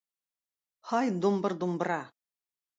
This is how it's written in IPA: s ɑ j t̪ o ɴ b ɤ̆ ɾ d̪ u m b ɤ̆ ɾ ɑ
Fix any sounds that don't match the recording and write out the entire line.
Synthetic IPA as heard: h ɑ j d̪ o m b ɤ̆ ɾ d̪ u m b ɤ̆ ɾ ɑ